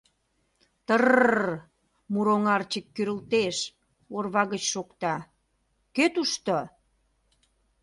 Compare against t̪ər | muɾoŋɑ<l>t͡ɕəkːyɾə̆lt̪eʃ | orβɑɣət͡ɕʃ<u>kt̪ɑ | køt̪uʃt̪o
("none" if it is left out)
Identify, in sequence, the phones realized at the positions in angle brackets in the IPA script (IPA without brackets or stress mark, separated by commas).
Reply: r, o